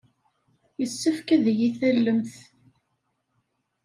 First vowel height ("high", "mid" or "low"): mid